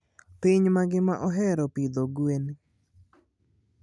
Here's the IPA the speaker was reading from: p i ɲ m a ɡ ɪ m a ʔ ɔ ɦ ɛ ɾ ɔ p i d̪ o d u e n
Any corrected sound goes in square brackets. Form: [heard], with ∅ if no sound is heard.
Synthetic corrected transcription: p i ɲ m a ɡ ɪ m a ʔ ɔ ɦ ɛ ɾ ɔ p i d̪ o [ɡ] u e n